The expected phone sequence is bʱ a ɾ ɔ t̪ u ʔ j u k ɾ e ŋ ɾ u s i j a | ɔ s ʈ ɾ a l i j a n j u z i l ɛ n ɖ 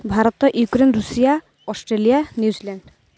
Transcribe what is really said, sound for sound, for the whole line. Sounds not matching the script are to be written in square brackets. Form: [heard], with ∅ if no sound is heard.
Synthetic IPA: bʱ a ɾ ɔ t̪ [ɔ] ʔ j u k ɾ e [n] ɾ u s i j a | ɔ s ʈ ɾ [e] l i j a n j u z i l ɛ [ɳ] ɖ